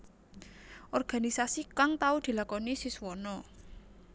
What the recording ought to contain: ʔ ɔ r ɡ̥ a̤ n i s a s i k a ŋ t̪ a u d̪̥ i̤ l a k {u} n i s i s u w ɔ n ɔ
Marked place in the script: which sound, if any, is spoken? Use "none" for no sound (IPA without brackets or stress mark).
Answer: ɔ